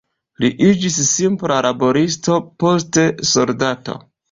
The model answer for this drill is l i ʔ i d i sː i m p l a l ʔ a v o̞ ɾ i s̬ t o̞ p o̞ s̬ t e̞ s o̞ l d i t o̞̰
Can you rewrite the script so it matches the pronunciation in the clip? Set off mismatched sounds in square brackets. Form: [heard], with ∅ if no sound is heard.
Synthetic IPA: l i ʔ i [d͡ʒ] i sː i m p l a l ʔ a [b] o̞ ɾ i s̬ t o̞ p o̞ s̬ t e̞ s o̞ l d [a] t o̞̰